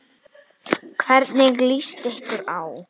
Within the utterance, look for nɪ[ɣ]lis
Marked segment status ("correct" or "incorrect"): correct